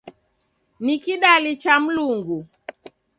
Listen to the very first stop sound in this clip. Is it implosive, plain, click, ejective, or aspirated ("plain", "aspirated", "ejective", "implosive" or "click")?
plain